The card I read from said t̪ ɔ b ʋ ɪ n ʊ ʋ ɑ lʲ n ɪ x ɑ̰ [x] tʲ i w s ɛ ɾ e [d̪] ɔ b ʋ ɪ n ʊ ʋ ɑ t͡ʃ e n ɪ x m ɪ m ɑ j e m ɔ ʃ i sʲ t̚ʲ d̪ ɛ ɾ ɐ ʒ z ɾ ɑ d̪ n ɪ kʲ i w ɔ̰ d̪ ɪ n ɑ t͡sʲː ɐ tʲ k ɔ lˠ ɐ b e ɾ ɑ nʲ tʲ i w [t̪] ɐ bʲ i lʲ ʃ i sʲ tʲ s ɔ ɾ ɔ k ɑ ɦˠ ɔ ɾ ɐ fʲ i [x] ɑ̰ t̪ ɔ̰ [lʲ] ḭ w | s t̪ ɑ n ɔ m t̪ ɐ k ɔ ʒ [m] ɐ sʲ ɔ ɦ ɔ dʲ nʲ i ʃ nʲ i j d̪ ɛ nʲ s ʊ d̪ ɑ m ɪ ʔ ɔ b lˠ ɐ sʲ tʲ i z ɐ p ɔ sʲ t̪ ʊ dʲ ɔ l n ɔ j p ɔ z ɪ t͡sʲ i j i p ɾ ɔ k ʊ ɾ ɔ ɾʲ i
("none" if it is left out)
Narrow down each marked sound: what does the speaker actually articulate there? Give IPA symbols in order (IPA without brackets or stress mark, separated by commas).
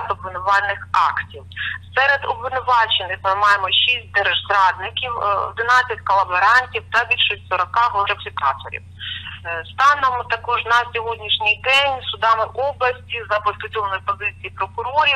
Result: k, d̪, t̪, k, ɾʲ, n